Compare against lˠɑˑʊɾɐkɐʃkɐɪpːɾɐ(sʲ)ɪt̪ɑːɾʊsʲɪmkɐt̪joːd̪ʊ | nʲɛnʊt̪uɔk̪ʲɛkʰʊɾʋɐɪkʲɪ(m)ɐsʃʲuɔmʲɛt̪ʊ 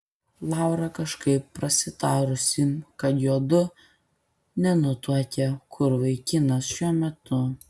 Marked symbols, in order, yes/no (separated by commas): yes, no